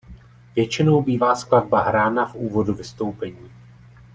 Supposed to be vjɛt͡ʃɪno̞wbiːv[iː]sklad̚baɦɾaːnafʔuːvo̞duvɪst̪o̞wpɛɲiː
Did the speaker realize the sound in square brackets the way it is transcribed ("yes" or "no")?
no